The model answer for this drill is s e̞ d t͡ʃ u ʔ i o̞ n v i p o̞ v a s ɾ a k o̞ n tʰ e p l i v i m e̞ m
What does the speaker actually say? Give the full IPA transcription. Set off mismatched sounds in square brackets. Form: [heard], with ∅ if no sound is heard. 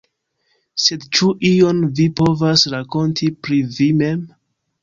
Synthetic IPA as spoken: s e̞ d t͡ʃ u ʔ i o̞ n v i p o̞ v a s ɾ a k o̞ n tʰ [i] p [ɾ] i v i m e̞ m